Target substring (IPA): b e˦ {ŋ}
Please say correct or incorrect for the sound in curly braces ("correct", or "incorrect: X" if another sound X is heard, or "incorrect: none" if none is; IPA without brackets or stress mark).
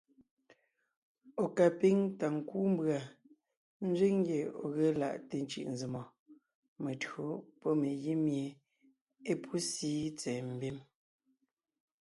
incorrect: m